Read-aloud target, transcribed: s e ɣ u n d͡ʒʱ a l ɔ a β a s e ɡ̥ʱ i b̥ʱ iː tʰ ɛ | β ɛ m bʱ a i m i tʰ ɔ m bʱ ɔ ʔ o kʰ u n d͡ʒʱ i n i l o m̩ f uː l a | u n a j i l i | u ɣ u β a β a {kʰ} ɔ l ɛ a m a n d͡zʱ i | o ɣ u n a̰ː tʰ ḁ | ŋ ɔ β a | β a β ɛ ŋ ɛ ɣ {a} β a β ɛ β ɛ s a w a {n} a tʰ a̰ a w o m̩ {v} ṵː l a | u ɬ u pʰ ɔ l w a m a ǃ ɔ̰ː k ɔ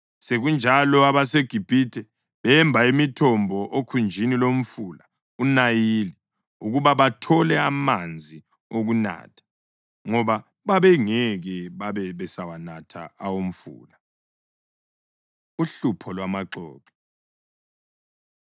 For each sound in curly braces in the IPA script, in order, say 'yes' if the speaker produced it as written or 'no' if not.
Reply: no, no, yes, no

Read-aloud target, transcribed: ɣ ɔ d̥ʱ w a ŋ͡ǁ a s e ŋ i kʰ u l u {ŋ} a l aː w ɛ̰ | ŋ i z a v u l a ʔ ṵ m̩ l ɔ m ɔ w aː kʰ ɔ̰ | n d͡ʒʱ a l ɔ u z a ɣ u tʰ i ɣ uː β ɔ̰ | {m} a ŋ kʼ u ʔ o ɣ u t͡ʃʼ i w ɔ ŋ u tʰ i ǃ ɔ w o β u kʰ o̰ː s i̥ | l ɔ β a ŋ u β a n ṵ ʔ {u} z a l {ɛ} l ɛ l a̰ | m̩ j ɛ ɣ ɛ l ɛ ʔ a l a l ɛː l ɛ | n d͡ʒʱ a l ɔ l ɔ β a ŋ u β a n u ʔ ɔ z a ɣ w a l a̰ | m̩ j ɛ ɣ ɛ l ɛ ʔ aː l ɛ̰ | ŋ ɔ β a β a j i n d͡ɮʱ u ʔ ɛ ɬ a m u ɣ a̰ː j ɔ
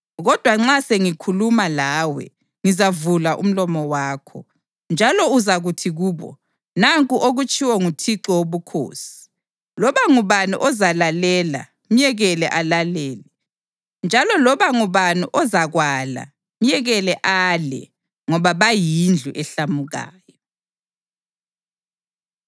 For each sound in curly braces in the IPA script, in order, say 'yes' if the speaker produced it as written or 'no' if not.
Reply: no, no, no, no

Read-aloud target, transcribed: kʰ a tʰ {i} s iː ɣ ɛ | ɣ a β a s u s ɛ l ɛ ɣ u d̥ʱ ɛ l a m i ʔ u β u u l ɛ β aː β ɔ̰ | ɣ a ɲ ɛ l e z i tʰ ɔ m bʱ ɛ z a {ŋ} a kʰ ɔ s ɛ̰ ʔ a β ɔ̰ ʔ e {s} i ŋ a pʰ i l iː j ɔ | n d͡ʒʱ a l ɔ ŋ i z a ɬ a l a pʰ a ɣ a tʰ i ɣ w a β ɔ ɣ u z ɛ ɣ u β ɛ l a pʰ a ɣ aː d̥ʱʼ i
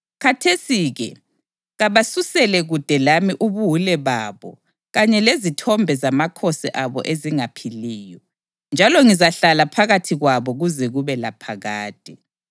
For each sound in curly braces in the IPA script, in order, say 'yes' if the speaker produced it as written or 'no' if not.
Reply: no, no, no

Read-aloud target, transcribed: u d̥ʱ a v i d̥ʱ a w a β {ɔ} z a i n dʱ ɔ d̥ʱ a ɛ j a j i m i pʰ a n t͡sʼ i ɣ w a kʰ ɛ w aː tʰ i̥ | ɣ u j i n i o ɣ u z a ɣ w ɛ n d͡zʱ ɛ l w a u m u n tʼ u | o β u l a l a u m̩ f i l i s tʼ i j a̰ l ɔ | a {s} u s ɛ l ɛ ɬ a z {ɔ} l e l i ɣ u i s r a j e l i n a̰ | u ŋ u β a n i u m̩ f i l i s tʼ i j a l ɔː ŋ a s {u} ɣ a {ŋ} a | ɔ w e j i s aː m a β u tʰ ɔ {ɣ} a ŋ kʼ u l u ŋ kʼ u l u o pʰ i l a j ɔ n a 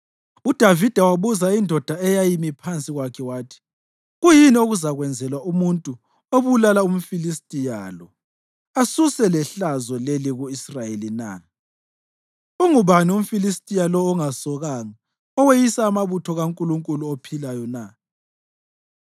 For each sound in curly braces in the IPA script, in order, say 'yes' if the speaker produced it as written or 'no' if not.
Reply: no, yes, yes, no, yes, yes

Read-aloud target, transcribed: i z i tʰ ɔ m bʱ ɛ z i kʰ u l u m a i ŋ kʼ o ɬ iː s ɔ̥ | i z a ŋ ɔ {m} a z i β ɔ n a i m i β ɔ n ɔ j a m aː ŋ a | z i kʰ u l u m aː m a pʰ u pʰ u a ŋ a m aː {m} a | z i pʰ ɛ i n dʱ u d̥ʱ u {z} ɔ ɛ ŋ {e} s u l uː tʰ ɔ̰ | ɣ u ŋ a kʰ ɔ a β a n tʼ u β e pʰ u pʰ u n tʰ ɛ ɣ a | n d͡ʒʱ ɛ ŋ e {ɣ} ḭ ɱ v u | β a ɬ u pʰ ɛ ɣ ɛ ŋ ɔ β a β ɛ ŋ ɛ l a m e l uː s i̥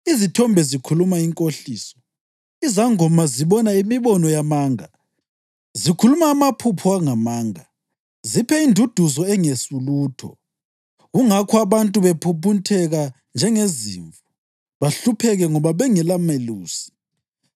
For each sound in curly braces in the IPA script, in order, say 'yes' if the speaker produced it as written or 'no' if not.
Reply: yes, no, yes, yes, no

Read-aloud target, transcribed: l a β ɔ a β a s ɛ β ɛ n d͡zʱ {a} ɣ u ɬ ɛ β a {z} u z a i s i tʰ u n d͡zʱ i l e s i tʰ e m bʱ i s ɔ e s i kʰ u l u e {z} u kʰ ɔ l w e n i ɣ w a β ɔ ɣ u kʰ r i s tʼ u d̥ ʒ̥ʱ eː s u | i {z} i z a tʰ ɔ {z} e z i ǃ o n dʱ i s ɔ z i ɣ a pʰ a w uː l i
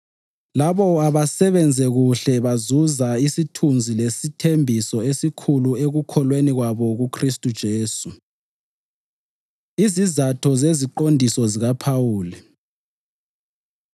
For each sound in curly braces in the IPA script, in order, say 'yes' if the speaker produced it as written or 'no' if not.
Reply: no, yes, no, yes, yes

